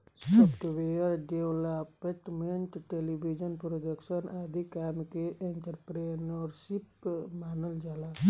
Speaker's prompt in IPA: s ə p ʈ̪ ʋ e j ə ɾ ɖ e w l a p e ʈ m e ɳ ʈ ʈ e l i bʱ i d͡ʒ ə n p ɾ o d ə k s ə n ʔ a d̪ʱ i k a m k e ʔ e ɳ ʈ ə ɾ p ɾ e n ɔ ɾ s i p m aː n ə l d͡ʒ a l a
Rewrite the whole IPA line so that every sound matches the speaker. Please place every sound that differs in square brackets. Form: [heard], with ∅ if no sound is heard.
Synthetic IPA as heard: s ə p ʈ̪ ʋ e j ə ɾ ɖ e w l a p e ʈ m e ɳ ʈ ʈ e l i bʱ i d͡ʒ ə n p ɾ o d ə k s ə n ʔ a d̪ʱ i k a m k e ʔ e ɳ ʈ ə ɾ p ɾ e n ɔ ɾ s i p m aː n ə l d͡ʒ a l a